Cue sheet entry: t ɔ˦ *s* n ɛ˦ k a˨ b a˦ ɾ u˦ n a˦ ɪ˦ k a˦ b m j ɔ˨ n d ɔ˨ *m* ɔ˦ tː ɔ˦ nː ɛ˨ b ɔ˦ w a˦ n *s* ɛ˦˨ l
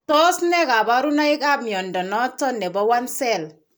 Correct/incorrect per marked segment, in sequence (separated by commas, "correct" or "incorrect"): correct, incorrect, correct